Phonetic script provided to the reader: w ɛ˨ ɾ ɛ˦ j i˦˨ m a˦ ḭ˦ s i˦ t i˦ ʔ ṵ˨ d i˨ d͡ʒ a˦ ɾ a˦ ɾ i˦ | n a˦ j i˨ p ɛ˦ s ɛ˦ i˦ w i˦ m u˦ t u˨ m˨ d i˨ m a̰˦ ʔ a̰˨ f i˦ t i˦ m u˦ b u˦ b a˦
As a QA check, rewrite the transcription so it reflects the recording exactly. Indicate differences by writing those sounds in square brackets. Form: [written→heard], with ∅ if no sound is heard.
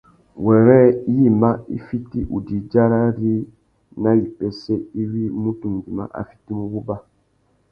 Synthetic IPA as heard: w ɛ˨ ɾ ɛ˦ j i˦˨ m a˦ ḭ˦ [s→f] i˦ t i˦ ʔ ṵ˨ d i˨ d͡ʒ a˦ ɾ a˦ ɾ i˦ | n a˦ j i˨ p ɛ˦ s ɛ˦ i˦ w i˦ m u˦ t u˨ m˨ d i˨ m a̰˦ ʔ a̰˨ f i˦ t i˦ m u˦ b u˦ b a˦